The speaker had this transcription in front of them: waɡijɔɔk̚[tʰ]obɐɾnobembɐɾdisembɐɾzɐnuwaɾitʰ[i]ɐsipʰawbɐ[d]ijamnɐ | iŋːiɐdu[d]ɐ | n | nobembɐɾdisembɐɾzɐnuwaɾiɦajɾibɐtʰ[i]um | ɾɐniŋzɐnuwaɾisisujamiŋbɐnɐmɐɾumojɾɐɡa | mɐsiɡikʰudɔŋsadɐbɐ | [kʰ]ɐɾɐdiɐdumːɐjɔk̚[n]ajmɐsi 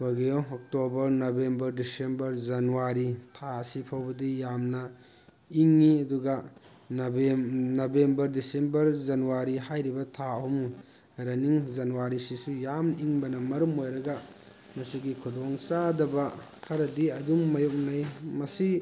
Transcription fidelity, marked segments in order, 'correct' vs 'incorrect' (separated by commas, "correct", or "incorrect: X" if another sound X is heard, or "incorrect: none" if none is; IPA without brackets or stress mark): incorrect: t, incorrect: a, correct, incorrect: ɡ, incorrect: a, correct, correct